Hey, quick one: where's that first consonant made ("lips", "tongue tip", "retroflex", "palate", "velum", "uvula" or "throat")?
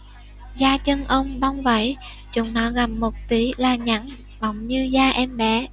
tongue tip